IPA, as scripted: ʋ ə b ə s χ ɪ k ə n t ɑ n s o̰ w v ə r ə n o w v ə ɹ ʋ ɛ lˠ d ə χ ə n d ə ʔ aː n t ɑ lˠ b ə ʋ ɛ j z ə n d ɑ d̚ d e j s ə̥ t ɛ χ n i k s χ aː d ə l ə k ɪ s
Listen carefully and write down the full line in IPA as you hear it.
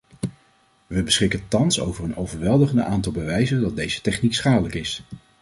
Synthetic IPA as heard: ʋ ə b ə s χ ɪ k ə n t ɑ n s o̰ w v ə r ə n o w v ə ɹ ʋ ɛ lˠ d ə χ ə n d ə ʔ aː n t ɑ lˠ b ə ʋ ɛ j z ə n d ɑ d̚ d e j z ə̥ t ɛ χ n i k s χ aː d ə l ə k ɪ s